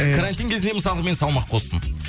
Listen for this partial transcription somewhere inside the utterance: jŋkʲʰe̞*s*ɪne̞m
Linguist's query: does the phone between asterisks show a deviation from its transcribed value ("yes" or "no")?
yes